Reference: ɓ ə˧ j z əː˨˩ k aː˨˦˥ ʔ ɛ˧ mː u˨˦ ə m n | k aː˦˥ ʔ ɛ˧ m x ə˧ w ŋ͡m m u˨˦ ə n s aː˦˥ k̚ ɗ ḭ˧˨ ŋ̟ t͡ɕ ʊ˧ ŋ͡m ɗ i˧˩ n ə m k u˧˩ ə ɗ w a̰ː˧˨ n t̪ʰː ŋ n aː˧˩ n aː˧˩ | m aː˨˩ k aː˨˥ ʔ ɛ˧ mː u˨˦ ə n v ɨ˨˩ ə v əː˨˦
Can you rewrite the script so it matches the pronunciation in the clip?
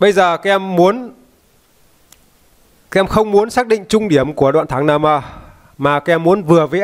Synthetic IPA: ɓ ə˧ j z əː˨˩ k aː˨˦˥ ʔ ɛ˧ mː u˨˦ ə n | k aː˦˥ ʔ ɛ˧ m x ə˧ w ŋ͡m m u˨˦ ə n s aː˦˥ k̚ ɗ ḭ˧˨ ŋ̟ t͡ɕ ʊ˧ ŋ͡m ɗ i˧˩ ə m k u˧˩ ə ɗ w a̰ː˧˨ n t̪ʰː ŋ n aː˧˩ m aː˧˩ | m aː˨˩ k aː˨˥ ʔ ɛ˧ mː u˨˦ ə n v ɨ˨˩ ə v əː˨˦